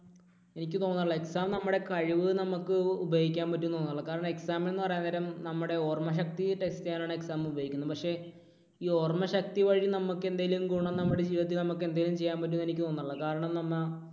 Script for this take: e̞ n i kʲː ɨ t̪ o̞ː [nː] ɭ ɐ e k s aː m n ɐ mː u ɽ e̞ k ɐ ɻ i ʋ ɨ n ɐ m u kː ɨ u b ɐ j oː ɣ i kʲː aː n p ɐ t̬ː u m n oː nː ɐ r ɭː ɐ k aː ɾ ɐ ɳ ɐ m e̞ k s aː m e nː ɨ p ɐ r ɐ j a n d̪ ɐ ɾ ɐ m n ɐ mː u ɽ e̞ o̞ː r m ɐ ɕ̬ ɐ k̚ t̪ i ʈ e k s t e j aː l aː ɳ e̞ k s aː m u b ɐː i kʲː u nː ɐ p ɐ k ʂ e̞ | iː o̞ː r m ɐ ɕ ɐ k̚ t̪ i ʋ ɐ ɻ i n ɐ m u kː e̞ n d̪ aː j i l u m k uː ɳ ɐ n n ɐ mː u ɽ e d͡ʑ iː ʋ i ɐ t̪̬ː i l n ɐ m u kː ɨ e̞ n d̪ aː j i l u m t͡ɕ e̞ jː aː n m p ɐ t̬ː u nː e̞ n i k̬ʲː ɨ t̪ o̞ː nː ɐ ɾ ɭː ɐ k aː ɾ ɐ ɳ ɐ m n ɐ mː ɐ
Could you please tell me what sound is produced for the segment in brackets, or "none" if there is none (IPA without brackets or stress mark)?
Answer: nː